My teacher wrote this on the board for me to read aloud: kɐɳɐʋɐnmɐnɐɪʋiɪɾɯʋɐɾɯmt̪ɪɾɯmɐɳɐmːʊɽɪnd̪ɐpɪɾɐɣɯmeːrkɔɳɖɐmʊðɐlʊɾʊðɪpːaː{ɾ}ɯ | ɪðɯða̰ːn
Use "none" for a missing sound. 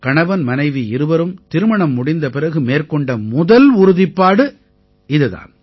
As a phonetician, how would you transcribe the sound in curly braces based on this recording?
ɽ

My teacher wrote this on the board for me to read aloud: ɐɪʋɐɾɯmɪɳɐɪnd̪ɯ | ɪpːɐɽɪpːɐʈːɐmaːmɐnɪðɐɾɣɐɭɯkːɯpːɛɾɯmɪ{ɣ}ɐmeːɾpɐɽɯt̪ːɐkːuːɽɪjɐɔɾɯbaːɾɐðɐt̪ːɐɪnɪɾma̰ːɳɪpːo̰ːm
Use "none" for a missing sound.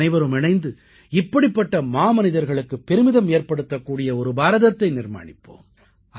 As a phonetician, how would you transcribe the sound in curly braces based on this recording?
ð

